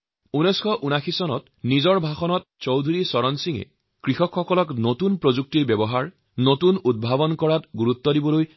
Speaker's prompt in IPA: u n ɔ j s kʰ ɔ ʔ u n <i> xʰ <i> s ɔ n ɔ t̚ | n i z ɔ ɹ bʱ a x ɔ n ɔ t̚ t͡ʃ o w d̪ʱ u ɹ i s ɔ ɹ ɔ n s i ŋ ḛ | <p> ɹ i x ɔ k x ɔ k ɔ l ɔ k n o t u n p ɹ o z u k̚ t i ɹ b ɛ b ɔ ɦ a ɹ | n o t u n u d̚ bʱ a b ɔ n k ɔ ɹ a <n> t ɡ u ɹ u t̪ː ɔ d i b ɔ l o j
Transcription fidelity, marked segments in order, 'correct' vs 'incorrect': incorrect: a, correct, incorrect: k, incorrect: none

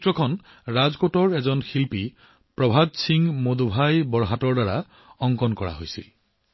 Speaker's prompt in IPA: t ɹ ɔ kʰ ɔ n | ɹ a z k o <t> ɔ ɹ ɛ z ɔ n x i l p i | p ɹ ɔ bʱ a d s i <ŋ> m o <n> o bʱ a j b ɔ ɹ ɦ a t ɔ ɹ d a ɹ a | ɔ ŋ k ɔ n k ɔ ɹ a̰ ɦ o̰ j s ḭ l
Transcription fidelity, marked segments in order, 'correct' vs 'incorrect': correct, correct, incorrect: d

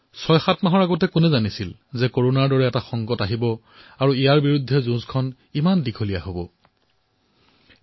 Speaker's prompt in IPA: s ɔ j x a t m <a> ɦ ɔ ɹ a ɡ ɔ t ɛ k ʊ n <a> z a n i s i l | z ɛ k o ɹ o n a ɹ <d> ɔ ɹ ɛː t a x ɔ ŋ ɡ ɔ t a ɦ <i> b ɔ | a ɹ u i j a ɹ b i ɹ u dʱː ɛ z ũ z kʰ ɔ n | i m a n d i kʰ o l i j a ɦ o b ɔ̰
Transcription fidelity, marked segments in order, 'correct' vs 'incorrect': correct, incorrect: ɛ, correct, correct

